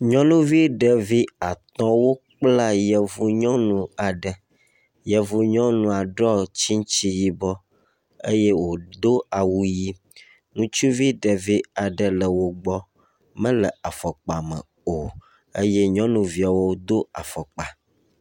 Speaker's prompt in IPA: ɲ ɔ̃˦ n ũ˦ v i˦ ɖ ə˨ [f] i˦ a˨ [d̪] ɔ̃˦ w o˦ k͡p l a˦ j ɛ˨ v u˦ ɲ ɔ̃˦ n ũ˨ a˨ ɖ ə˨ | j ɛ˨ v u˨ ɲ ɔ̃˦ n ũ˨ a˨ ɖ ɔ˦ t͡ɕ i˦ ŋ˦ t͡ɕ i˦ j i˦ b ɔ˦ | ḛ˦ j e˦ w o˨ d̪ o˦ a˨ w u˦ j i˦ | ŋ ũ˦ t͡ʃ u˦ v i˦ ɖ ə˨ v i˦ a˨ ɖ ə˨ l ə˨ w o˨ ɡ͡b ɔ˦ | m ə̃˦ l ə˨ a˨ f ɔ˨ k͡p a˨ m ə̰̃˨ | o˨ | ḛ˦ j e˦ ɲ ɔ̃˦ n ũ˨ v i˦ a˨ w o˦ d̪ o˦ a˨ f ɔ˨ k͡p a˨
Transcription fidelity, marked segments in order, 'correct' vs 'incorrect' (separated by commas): incorrect, incorrect